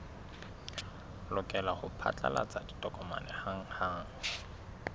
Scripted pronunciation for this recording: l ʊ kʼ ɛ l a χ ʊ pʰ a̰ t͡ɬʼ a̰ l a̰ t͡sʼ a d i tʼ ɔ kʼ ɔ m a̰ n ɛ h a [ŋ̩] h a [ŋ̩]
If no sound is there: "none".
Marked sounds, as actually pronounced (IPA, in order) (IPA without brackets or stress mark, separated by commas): ŋ̩, ŋ̩